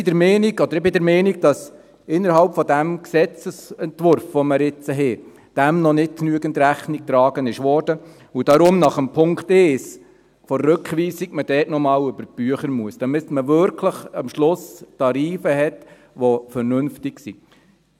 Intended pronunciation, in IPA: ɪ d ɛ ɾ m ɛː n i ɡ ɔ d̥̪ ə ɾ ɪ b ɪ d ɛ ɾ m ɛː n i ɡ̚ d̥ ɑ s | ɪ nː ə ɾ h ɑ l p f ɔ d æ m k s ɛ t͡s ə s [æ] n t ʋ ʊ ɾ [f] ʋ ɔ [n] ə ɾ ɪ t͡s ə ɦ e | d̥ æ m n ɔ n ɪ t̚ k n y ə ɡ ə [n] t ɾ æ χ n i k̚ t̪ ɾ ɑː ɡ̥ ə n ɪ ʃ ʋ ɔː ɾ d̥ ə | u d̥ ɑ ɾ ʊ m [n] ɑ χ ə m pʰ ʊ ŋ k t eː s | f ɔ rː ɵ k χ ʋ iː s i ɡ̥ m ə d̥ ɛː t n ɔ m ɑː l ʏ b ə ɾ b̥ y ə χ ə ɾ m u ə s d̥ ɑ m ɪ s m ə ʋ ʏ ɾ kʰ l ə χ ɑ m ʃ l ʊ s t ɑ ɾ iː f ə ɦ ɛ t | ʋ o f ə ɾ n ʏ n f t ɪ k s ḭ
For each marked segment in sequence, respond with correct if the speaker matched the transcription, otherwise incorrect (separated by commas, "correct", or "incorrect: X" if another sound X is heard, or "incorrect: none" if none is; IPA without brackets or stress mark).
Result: incorrect: ɛ, correct, incorrect: m, correct, correct